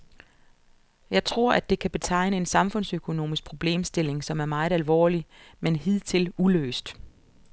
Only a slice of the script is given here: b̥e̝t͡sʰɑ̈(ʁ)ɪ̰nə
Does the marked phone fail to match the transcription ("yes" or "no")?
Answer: yes